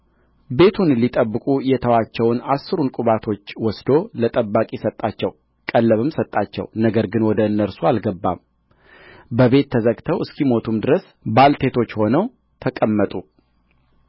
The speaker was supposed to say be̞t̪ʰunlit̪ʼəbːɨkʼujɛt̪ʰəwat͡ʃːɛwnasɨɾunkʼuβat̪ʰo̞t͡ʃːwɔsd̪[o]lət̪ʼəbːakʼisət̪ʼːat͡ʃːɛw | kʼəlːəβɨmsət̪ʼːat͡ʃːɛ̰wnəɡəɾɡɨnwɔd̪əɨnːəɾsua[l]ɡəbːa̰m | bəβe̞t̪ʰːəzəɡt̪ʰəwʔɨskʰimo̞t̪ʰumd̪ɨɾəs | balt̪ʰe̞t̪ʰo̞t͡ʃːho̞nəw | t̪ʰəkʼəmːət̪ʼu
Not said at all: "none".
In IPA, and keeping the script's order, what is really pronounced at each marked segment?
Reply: o, l

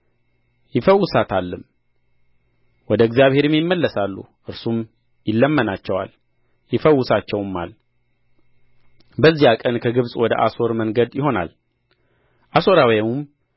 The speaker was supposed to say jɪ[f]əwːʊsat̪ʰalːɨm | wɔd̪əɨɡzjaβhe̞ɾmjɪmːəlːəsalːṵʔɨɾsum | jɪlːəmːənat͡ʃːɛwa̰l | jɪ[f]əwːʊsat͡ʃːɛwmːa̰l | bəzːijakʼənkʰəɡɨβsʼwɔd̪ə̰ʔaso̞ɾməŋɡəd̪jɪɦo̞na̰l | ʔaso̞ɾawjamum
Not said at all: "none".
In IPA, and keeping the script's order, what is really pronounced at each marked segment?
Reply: f, f

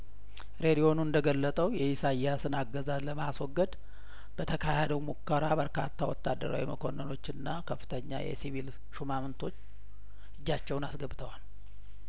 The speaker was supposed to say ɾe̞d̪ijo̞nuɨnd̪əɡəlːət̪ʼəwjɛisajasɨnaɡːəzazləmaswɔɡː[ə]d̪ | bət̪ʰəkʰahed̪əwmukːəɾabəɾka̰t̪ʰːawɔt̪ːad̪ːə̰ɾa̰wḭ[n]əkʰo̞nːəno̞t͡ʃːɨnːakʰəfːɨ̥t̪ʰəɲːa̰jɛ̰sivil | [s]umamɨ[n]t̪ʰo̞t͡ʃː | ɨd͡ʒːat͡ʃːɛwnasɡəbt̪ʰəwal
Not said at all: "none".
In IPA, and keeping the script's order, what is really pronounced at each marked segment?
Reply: ə, m, ʃ, n

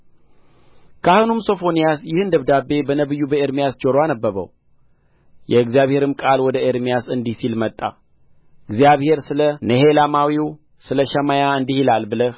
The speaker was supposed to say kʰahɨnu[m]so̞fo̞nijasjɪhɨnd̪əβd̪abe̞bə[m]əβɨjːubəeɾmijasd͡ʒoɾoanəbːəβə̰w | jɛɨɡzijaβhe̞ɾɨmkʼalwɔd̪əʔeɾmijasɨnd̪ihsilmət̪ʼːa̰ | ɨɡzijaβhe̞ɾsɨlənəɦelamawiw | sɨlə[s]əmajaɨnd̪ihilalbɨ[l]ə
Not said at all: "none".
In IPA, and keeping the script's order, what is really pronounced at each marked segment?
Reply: m, n, ʃ, l

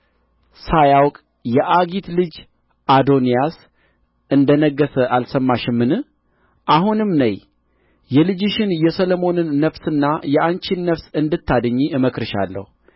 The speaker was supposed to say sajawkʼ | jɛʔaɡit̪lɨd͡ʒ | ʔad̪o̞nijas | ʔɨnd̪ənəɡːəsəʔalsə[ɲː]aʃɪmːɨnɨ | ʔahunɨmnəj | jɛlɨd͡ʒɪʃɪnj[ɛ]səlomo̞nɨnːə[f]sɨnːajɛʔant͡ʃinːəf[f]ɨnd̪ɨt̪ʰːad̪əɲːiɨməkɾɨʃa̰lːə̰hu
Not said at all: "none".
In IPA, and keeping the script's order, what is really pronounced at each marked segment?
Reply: mː, ɛ, f, s

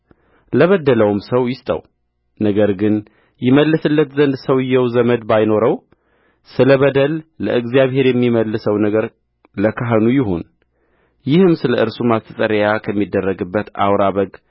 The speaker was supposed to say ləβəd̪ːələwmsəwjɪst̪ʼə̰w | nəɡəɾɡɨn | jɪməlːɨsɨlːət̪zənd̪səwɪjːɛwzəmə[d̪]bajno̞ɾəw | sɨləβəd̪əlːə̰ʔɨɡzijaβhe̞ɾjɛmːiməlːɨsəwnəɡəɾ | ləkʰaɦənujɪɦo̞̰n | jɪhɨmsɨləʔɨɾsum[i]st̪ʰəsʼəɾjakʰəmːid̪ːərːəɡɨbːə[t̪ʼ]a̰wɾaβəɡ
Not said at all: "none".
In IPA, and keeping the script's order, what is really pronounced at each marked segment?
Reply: d̪, a, t̪

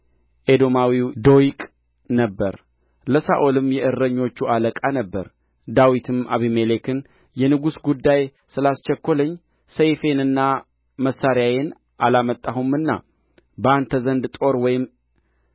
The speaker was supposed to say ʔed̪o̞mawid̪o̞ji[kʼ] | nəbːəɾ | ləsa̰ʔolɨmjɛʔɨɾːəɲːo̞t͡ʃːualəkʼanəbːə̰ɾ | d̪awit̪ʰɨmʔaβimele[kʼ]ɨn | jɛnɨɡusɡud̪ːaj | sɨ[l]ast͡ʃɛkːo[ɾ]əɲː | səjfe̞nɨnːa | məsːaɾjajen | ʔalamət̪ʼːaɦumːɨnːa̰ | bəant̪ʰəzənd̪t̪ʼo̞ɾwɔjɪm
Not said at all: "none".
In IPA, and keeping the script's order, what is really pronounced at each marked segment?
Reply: kʼ, k, l, l

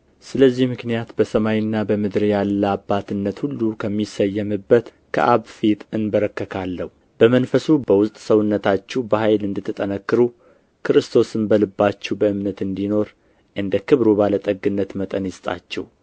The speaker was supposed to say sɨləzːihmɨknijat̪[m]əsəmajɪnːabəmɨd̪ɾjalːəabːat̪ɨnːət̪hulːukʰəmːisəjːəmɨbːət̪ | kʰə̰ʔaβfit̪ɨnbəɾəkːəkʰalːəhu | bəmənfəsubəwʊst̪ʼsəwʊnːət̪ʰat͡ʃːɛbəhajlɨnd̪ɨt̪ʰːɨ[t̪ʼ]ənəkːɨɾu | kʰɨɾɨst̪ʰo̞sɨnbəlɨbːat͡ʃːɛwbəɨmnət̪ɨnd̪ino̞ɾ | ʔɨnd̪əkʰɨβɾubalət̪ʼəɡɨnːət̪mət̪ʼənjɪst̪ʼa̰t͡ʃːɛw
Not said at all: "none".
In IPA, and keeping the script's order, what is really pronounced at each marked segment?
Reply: b, t̪ʼ

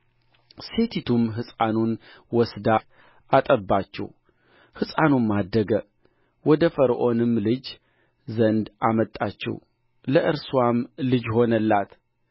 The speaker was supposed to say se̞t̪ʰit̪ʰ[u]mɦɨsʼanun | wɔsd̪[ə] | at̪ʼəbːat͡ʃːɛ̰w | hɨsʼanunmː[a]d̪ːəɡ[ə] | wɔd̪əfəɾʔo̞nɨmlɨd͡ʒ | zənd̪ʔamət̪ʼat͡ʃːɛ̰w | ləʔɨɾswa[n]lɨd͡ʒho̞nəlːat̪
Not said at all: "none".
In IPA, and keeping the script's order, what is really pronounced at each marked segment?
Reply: u, a, a, ə, m

